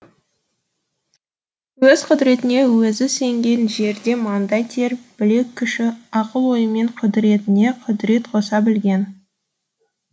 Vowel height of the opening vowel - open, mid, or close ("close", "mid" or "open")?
mid